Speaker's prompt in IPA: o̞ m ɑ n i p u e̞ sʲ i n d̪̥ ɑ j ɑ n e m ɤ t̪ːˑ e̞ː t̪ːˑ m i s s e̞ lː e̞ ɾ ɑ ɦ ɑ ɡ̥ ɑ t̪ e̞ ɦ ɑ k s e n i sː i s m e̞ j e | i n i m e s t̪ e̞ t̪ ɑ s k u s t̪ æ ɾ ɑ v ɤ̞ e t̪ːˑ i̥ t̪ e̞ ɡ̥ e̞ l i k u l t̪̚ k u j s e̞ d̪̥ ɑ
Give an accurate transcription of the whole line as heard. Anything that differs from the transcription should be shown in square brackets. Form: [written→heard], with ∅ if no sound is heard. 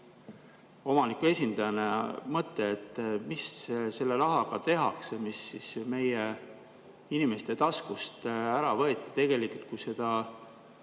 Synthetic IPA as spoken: o̞ m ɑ n i [p→k] u e̞ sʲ i n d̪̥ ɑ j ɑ n e m ɤ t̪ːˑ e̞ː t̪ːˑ m i s s e̞ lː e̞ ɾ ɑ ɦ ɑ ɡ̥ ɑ t̪ e̞ ɦ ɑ k s e [n→m] i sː i s m e̞ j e | i n i m e s t̪ e̞ t̪ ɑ s k u s t̪ æ ɾ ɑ v ɤ̞ e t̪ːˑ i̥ t̪ e̞ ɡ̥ e̞ l i k u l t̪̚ k u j s e̞ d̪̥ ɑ

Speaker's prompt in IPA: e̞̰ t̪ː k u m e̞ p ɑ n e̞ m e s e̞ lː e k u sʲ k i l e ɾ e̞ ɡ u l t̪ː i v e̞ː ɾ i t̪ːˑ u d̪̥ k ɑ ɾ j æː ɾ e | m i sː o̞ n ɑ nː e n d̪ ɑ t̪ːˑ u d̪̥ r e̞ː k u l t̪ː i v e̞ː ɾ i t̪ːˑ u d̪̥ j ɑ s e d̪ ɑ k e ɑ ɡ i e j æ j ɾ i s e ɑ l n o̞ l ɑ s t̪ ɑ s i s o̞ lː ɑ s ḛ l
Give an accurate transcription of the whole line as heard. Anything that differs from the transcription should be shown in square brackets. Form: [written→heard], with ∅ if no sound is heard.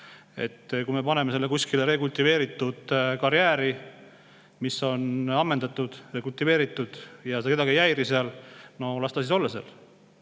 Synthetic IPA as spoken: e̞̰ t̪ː k u m e̞ p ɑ n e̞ m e s e̞ lː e k u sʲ k i l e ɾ e̞ [ɡ→k] u l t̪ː i v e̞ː ɾ i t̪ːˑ u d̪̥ k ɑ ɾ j æː ɾ [e→i] | m i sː o̞ n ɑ [nː→mː] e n d̪ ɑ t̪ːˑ u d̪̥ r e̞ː k u l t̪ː i v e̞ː ɾ i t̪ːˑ u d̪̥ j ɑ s e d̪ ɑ k e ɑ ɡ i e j æ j ɾ i s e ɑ l n o̞ l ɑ s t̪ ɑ s i s o̞ lː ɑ s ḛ l

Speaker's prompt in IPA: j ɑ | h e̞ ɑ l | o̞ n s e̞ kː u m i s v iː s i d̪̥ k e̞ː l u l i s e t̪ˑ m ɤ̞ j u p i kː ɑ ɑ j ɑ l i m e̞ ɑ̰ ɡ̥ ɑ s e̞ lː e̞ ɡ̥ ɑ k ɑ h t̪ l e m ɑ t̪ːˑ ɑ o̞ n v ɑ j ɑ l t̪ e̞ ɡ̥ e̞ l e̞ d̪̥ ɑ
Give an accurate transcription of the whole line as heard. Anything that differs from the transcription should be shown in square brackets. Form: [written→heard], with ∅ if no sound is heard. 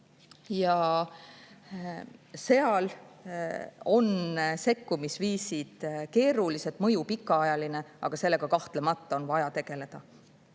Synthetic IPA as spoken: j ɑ | [h→s] e̞ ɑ l | o̞ n s e̞ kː u m i s v iː s i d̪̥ k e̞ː [l→ɾ] u l i s e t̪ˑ m ɤ̞ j u p i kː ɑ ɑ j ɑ l i [m→n] e̞ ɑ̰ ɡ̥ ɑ s e̞ lː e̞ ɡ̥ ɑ k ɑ h t̪ l e m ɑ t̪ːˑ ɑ o̞ n v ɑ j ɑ [l→∅] t̪ e̞ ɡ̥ e̞ l e̞ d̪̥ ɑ

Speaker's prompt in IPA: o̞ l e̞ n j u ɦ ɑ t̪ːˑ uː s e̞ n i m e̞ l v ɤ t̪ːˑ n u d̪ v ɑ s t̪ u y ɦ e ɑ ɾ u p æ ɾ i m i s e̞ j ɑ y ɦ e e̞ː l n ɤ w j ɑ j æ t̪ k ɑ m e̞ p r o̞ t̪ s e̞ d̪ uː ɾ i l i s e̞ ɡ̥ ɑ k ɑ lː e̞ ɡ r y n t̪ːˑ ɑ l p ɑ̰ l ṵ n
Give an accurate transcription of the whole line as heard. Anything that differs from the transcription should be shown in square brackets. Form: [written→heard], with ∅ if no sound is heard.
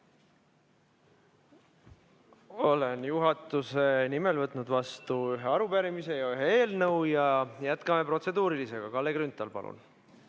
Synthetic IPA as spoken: o̞ l e̞ n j u ɦ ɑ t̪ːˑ [uː→u] s e̞ n i m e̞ l v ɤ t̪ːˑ n u d̪ v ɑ s t̪ u y ɦ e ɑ ɾ u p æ ɾ i m i s e̞ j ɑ y ɦ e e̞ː l n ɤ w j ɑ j æ t̪ k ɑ m e̞ p r o̞ t̪ s e̞ d̪ uː ɾ i l i s e̞ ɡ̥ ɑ k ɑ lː e̞ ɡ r y n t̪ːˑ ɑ l p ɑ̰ l ṵ n

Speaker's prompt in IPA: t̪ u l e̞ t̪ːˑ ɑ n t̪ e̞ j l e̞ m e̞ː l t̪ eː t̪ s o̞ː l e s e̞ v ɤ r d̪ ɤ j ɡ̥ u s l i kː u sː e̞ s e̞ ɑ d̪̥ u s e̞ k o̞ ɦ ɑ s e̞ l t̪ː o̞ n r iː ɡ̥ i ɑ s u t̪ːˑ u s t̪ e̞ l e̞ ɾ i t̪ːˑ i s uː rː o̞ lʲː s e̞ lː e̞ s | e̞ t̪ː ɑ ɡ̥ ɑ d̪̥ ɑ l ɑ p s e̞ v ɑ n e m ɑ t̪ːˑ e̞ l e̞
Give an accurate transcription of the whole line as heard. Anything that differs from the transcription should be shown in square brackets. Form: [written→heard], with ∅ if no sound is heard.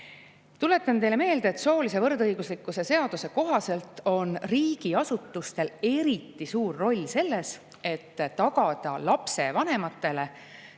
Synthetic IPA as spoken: t̪ u l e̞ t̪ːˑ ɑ n t̪ e̞ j l e̞ m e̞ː l [t̪→d̪] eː t̪ s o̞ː l [e→i] s e̞ v ɤ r d̪ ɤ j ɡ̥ u s l i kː u [sː→s] e̞ s e̞ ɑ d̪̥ u s e̞ k o̞ ɦ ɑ s e̞ l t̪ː o̞ n r iː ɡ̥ i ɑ s u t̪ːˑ u s t̪ e̞ l e̞ ɾ i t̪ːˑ i s uː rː o̞ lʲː s e̞ lː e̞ s | e̞ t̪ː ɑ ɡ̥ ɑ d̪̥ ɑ l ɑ p s e̞ v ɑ n e m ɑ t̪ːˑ e̞ l e̞

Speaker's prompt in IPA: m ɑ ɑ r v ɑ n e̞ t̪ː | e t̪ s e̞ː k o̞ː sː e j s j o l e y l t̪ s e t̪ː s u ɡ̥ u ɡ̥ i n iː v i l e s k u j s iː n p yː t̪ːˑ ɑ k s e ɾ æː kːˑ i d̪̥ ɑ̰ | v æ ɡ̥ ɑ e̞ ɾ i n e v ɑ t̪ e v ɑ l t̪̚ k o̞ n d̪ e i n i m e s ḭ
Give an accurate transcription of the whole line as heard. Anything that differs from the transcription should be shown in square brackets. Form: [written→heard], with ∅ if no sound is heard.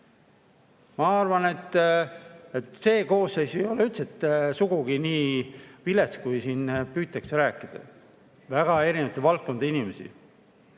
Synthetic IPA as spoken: m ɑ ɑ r v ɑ n e̞ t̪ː | e t̪ s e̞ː k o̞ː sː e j s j o l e y l t̪ s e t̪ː s u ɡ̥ u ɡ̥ i n iː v i l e s k u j s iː n p yː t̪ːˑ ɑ k s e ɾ æː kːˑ i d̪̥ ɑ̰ | v æ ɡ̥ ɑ e̞ ɾ i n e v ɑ t̪ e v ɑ l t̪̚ k o̞ n d̪ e i n i m e s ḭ

